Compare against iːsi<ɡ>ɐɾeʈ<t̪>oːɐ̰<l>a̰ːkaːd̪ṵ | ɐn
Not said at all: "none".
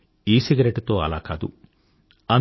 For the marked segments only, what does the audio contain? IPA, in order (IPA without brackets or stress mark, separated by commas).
ɡ, t̪, l